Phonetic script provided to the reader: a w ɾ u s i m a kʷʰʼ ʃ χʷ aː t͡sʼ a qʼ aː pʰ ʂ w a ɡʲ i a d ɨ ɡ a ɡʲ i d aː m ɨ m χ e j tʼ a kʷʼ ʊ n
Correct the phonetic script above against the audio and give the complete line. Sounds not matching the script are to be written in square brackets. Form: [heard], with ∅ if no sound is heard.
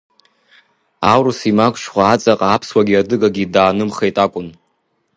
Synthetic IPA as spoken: a w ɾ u s i m a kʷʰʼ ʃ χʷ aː t͡sʼ a qʼ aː pʰ [s] w a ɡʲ i a d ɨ ɡ a ɡʲ i d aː [n] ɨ m χ e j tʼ a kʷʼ ʊ n